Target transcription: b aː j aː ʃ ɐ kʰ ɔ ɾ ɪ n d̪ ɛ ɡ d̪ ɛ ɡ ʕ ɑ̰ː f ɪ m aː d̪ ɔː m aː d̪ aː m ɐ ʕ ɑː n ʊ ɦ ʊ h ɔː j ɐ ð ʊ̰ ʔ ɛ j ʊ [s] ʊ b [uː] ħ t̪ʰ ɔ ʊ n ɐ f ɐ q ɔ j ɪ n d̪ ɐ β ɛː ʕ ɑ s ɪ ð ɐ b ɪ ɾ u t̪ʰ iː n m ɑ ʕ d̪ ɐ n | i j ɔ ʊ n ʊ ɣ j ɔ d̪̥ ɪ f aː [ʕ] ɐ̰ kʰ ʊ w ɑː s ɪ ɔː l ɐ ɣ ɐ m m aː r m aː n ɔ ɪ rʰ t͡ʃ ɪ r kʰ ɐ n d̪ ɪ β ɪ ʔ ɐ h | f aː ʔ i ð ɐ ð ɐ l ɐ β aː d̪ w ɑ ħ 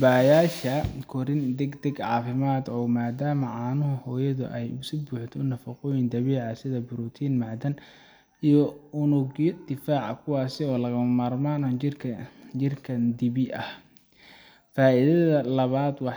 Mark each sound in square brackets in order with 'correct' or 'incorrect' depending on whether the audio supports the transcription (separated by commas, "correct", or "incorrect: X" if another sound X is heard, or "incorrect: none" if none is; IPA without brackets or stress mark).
correct, correct, correct